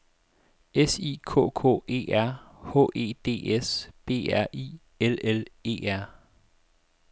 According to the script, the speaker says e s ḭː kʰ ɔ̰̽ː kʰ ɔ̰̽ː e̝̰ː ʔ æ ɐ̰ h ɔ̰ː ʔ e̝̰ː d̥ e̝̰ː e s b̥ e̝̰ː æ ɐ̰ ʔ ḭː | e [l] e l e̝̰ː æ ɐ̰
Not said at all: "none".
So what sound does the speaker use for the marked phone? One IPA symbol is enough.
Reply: l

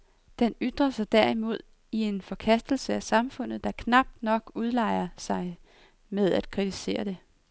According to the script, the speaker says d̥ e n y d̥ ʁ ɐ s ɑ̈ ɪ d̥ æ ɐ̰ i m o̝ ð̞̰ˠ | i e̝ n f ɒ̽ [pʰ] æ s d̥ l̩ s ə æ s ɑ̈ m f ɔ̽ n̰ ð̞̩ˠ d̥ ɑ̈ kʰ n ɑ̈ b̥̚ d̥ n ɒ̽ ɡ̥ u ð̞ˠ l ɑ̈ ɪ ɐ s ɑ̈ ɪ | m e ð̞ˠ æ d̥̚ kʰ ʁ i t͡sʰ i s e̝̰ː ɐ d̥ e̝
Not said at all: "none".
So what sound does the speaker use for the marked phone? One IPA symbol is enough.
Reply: kʰ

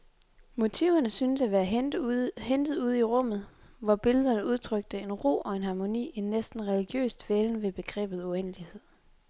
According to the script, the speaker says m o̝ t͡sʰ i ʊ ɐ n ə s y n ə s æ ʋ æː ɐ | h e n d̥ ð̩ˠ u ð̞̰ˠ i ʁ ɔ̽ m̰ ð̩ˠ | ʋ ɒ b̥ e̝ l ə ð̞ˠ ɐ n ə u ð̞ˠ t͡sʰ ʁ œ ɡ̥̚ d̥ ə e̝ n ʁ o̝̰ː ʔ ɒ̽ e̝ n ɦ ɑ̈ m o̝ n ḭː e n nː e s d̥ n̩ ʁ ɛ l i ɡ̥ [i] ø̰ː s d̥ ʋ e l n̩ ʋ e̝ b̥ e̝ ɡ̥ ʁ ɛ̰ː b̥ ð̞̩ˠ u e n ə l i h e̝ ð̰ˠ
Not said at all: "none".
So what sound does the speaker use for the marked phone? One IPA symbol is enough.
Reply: j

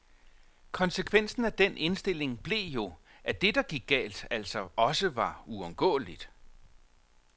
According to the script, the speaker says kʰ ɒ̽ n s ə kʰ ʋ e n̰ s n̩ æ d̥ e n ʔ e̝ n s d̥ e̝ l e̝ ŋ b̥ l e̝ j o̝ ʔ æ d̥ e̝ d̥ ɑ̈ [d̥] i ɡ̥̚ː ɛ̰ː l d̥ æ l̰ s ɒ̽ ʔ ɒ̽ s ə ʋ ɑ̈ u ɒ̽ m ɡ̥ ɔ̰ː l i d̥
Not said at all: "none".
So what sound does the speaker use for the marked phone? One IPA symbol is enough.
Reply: ɡ̥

